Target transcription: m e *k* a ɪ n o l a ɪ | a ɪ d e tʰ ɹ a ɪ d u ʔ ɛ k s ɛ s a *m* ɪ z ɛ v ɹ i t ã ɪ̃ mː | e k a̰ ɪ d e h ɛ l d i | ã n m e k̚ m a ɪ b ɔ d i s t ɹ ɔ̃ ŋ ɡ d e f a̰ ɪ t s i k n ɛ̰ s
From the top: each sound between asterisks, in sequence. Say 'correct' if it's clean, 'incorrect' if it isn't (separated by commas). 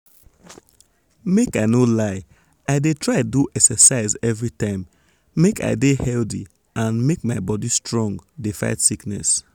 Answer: correct, incorrect